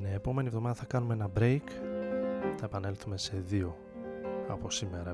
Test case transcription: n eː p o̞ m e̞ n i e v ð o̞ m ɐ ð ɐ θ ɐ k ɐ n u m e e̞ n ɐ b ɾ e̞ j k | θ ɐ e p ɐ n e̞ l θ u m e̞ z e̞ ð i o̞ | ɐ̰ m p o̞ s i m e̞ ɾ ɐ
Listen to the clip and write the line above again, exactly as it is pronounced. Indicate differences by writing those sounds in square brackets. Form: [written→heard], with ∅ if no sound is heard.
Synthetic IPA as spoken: n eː p o̞ m e̞ n i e v ð o̞ m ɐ ð ɐ θ ɐ k ɐ n u m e e̞ n ɐ b ɾ e̞ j k | θ ɐ e p ɐ n e̞ l θ u m e̞ [z→s] e̞ ð i o̞ | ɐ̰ [m→∅] p o̞ s i m e̞ ɾ ɐ